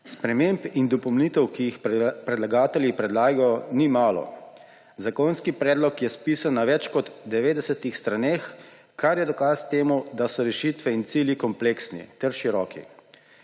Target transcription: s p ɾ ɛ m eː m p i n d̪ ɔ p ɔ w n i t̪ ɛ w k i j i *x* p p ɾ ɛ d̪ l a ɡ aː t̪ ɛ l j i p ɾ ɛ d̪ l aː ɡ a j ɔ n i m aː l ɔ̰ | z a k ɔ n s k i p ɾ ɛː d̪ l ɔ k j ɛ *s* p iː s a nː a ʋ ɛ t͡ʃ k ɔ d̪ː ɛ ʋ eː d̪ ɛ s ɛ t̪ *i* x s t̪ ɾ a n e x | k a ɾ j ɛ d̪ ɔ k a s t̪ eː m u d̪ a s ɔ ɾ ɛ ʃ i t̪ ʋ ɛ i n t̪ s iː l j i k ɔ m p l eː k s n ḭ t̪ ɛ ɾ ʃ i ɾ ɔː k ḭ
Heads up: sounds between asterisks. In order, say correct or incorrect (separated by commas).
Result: correct, correct, correct